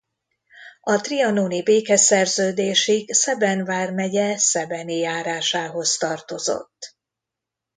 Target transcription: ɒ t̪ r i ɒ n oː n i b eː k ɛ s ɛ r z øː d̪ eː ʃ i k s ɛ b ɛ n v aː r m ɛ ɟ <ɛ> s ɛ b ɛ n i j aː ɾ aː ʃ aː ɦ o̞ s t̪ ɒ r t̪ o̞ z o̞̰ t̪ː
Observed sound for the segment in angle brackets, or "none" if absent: ɛ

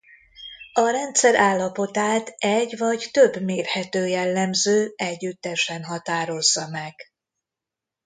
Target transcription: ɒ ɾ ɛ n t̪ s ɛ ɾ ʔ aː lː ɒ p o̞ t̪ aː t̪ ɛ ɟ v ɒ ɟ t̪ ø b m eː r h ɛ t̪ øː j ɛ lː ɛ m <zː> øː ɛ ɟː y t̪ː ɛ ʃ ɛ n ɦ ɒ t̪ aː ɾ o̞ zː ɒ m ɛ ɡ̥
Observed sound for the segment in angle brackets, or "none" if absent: z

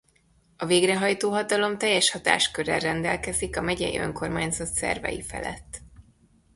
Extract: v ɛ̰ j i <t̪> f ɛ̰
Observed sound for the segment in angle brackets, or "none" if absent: none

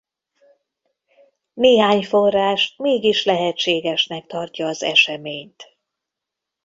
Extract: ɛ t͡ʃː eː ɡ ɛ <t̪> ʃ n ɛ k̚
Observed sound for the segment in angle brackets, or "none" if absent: none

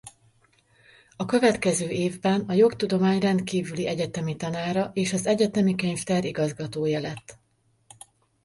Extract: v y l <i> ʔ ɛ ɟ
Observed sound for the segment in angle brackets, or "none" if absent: i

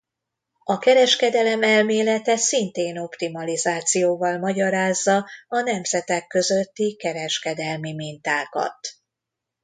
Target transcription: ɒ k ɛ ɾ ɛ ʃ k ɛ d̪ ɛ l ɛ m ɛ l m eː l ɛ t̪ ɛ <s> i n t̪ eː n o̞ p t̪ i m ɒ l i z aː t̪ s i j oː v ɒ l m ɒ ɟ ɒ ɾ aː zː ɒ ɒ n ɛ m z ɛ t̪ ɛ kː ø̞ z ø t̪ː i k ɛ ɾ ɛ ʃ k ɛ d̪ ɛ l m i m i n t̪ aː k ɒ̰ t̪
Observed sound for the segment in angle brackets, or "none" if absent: s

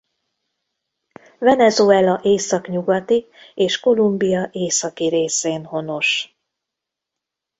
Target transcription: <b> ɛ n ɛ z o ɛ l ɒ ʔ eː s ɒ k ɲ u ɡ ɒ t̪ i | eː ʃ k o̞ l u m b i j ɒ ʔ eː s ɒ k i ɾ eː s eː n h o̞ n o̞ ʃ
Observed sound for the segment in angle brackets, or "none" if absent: v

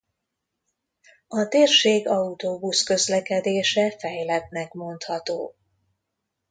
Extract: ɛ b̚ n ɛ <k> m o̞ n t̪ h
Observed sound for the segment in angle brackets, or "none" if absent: k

